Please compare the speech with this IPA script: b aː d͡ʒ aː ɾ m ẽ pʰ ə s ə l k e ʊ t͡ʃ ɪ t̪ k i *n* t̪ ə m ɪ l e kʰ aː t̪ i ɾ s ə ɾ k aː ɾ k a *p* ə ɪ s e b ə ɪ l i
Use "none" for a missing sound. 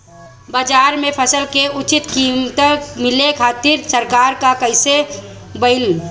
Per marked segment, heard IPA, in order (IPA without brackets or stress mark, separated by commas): m, k